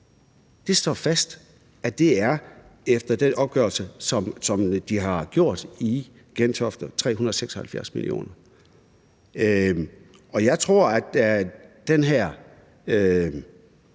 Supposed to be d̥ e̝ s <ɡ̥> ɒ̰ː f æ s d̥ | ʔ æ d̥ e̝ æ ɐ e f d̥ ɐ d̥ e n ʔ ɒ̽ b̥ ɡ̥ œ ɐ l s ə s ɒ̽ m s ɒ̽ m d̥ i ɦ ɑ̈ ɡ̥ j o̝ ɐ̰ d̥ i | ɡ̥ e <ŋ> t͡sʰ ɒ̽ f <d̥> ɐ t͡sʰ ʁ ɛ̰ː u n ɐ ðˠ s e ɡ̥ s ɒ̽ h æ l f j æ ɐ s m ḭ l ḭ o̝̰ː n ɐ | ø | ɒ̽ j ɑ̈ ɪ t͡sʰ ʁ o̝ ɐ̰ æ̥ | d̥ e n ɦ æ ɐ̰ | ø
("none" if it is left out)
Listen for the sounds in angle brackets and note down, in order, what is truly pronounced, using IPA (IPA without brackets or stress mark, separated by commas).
d̥, n, d̥